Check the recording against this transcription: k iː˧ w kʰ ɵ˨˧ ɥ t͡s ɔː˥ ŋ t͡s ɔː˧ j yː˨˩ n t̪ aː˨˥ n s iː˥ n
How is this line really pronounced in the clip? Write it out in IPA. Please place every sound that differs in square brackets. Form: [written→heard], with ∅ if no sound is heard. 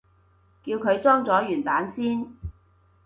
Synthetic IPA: k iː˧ w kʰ ɵ˨˧ ɥ t͡s ɔː˥ ŋ t͡s [ɔː˧→ɔː˨˥] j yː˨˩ n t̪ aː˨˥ n s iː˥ n